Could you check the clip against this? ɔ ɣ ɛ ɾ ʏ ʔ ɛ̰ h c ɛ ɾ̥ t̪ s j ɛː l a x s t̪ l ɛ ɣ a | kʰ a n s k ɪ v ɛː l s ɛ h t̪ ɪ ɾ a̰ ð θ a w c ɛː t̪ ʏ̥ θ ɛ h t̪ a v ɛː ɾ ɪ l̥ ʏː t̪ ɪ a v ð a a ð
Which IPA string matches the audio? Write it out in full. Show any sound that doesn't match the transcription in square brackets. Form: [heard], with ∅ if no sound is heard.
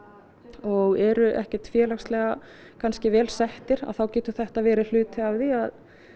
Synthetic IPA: ɔ ɣ ɛ ɾ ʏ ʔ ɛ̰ h c ɛ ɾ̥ t̪ [f] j ɛː l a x s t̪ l ɛ ɣ a | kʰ a n s [c] ɪ v ɛː l s ɛ h t̪ ɪ ɾ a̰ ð θ a w c ɛː t̪ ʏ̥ θ ɛ h t̪ a v ɛː ɾ ɪ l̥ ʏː t̪ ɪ a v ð [i] a ð

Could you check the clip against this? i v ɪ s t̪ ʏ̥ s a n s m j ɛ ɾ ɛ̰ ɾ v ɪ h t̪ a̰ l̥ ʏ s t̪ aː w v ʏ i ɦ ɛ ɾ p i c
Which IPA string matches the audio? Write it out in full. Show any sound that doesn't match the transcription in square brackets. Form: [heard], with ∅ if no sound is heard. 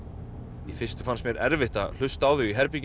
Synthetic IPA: i [f] ɪ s t̪ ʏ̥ [f] a n s m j ɛ ɾ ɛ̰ ɾ v ɪ h t̪ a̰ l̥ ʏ s t̪ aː w [ð] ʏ i ɦ ɛ ɾ p i c

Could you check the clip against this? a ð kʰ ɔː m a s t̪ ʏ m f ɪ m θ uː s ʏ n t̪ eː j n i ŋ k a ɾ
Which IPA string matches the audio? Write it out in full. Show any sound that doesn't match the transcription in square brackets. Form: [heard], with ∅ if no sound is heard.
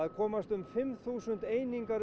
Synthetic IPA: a ð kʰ ɔː m a s t̪ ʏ m f ɪ m θ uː s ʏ n t̪ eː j n i ŋ k a ɾ

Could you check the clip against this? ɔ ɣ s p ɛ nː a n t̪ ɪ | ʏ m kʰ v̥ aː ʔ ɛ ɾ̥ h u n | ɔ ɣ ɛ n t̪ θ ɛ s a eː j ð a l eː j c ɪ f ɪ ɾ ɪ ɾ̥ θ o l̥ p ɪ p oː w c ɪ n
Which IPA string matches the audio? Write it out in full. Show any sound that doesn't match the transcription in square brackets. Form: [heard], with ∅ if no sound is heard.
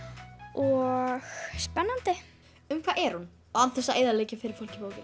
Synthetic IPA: ɔ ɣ s p ɛ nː a n t̪ ɪ | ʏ m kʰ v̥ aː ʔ ɛ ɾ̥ h u n | ɔ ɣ [a] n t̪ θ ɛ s a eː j ð a l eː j c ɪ f ɪ ɾ ɪ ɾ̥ [f] o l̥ [c] ɪ p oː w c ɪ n

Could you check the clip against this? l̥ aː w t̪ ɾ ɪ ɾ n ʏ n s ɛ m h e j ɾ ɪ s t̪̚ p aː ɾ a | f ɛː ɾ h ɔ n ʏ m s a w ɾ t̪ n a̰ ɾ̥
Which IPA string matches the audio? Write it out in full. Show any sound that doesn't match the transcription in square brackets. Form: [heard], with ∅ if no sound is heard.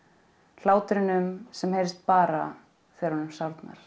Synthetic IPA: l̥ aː w t̪ ɾ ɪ [∅] n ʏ [m] s ɛ m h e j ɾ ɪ s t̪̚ p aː ɾ a | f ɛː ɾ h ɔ n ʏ m s a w ɾ t̪ n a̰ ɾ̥

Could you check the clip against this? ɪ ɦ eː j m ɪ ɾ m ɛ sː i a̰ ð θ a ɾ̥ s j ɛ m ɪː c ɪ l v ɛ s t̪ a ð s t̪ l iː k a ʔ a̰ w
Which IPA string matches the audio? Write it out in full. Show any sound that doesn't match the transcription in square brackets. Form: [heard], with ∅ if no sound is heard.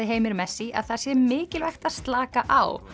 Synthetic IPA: ɪ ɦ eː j m ɪ ɾ m ɛ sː i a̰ ð θ a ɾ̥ s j ɛ m ɪː c ɪ l v ɛ [x] t̪ a ð s t̪ l [aː] k a ʔ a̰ w

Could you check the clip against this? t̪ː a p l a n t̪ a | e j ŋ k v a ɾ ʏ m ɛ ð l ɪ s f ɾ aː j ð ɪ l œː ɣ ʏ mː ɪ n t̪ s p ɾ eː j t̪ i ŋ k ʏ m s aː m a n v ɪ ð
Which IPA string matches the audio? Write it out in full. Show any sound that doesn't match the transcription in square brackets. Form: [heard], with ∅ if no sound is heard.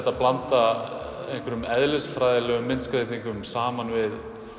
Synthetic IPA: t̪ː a p l a n t̪ a | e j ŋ k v [ɛ] ɾ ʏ m ɛ ð l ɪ s f ɾ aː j ð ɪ l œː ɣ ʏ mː ɪ n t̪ s [k] ɾ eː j t̪ i ŋ k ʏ m s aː m a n v ɪ ð

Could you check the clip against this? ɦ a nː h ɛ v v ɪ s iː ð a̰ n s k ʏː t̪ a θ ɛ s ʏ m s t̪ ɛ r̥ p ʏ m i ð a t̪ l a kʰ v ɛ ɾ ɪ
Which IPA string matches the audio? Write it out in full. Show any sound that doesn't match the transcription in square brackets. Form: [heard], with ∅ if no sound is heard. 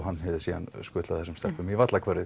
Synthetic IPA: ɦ a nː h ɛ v [ð] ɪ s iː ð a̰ n s k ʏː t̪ a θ ɛ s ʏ m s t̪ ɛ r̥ p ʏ m i [v] a t̪ l a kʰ v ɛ ɾ ɪ

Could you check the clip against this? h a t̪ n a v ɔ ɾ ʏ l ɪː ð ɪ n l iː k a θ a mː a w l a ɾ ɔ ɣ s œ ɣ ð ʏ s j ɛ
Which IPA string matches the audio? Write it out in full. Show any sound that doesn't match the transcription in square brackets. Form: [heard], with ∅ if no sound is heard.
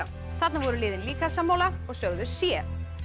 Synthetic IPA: [θ] a t̪ n a v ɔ ɾ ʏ l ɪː ð ɪ n l iː k a [s] a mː a w l a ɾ ɔ ɣ s œ ɣ ð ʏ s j ɛ

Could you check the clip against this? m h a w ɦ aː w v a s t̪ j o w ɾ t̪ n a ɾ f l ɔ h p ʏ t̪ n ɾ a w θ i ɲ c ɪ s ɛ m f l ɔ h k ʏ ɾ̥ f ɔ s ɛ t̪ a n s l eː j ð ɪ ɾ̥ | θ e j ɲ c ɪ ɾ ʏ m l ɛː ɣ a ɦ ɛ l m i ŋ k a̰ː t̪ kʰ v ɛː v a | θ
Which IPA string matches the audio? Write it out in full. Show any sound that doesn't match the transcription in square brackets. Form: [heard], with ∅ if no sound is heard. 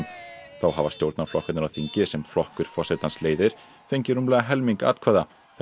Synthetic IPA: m [θ] a w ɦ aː [∅] v a s t̪ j o w ɾ t̪ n a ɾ f l ɔ h [k] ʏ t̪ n ɾ a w θ i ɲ c ɪ s ɛ m f l ɔ h k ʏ ɾ̥ f ɔ s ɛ t̪ a n s l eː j ð ɪ ɾ̥ | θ e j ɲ c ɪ ɾ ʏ m l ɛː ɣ a ɦ ɛ l m i ŋ k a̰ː t̪ kʰ v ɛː [ð] a | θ

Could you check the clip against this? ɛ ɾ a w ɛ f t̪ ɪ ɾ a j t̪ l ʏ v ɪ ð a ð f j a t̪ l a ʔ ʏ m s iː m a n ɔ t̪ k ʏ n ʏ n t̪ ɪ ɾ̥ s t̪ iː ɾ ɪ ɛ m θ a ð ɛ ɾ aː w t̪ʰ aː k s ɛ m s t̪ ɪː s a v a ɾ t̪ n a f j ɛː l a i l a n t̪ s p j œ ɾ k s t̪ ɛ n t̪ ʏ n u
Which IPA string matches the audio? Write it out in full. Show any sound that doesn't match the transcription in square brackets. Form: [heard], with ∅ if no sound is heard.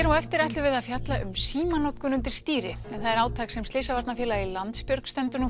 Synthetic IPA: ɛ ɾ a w ɛ f t̪ ɪ ɾ a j t̪ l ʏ v ɪ ð a ð f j a t̪ l a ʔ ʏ m s iː m a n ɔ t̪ k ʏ n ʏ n t̪ ɪ ɾ̥ s t̪ iː ɾ ɪ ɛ [n] θ a ð ɛ ɾ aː w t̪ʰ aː k s ɛ m s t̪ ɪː s a v a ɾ t̪ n a f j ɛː l a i l a n t̪ s p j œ ɾ k s t̪ ɛ n t̪ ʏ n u

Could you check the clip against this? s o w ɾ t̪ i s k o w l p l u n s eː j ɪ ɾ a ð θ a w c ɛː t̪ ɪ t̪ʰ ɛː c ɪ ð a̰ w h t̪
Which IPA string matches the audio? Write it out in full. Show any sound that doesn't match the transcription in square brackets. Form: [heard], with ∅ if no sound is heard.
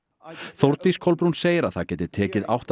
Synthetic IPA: [θ] o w ɾ t̪ i s [kʰ] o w l p [ɾ] u n s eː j ɪ ɾ a ð θ a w c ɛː t̪ ɪ t̪ʰ ɛː c ɪ ð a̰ w h t̪

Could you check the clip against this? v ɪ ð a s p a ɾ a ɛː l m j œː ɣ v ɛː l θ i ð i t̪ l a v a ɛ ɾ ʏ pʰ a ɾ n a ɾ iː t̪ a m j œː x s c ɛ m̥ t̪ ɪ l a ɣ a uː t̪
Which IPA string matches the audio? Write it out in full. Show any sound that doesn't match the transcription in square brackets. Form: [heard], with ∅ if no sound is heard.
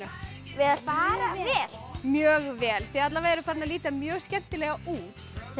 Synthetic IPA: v ɪ ð a s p a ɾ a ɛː l m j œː ɣ v ɛː l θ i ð [a] t̪ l a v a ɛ ɾ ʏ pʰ a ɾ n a [l] iː t̪ a m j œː [ɣ] s c ɛ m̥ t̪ ɪ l [ɛ] ɣ a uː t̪

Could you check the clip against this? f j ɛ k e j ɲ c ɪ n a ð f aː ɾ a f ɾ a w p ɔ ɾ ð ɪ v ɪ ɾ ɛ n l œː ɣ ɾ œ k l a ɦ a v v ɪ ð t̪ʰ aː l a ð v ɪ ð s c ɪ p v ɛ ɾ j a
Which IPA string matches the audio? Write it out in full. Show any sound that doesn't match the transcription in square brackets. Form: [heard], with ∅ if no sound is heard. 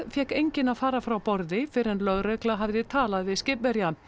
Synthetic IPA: f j ɛ k e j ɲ c ɪ n a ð f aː ɾ a f ɾ a w p ɔ ɾ ð ɪ [f] ɪ ɾ ɛ n l [œ] ɣ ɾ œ k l a ɦ a v [ð] ɪ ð t̪ʰ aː l a ð v ɪ ð s c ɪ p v ɛ ɾ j a

